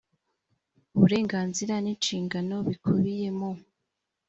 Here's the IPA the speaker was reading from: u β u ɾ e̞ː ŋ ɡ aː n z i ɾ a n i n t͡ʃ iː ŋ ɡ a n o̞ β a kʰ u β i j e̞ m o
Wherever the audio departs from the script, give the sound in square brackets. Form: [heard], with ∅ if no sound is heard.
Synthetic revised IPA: u β u ɾ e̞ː ŋ ɡ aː n z i ɾ a n i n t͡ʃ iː ŋ ɡ a n o̞ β [i] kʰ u β i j e̞ m o